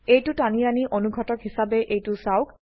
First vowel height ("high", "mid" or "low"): mid